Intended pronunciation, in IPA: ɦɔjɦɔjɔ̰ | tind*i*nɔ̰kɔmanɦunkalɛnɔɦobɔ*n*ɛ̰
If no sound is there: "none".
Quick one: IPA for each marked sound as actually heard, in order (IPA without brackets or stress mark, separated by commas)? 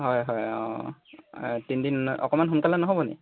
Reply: i, n